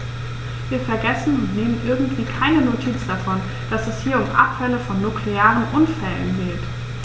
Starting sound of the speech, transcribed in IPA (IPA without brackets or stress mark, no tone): v